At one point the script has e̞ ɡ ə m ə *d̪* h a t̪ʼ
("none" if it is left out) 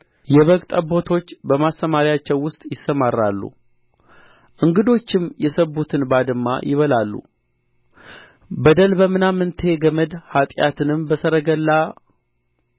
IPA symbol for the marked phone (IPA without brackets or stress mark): d̪